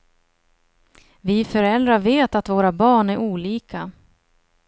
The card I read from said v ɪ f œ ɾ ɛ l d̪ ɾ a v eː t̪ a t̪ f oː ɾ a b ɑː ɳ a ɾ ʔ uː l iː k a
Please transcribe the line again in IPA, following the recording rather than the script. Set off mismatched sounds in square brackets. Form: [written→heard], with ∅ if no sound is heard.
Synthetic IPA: v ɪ f œ ɾ ɛ l d̪ ɾ a v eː t̪ a t̪ [f→v] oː ɾ a b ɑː ɳ [a→æ] ɾ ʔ uː l iː k a